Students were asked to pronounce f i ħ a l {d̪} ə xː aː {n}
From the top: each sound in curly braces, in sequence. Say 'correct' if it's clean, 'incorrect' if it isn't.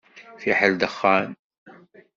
correct, correct

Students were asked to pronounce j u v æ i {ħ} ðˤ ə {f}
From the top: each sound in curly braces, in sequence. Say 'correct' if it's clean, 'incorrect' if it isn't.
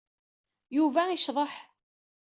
incorrect, incorrect

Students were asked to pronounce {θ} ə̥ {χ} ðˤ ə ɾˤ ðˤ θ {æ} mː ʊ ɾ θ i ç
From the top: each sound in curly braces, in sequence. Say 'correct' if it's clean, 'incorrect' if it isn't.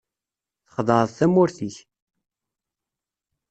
correct, correct, correct

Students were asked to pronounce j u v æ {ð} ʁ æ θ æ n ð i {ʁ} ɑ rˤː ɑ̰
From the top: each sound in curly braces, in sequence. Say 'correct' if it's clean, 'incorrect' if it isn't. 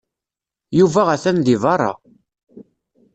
incorrect, incorrect

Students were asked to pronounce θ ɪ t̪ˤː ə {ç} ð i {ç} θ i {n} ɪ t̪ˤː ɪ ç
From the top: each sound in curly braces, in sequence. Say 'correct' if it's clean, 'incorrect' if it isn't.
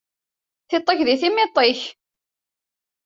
correct, incorrect, incorrect

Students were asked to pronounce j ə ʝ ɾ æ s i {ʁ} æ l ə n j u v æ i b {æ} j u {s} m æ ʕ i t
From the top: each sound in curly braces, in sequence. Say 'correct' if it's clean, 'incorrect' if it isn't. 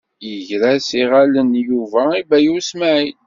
correct, correct, correct

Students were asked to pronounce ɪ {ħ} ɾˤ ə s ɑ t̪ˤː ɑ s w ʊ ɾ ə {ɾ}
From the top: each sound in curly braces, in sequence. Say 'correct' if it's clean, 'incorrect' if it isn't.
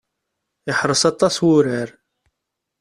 correct, correct

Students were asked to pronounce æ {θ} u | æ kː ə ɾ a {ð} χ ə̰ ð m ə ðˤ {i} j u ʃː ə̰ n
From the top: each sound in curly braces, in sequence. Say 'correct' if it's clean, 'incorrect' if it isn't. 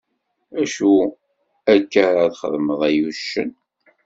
incorrect, correct, incorrect

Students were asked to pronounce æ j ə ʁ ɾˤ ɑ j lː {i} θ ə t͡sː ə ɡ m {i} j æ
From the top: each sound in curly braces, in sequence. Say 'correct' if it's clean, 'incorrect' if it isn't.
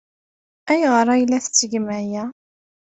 incorrect, incorrect

